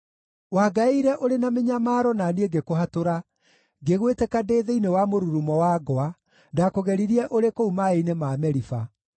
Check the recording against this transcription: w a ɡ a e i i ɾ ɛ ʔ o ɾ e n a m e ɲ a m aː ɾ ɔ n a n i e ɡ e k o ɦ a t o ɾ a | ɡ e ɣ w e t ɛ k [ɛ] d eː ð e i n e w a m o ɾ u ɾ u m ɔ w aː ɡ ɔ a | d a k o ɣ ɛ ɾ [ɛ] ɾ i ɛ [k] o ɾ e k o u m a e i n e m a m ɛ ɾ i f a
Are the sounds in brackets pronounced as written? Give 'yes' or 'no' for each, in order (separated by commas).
no, no, no